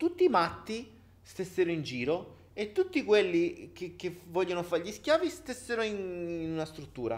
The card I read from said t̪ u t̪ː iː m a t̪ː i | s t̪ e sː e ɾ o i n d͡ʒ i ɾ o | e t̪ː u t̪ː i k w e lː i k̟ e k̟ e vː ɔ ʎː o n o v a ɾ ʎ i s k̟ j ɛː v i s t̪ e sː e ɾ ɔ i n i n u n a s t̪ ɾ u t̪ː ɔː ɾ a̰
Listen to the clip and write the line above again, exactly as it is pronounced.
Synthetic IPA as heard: t̪ u t̪ː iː m a t̪ː i | s t̪ e sː e ɾ o i n d͡ʒ iː ɾ o | e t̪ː u t̪ː i k w e lː i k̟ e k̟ e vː ɔ ʎː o n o f a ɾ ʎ i s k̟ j aː v i s t̪ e sː e ɾ o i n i n u n a s t̪ ɾ u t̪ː uː ɾ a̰